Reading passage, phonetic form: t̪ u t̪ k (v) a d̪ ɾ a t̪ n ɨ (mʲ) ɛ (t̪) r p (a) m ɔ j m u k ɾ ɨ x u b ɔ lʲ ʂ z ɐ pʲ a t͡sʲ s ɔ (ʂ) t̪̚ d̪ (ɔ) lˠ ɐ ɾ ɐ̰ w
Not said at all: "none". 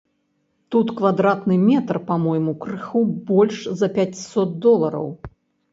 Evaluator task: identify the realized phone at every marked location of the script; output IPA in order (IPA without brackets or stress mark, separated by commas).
v, mʲ, t̪, a, none, ɔ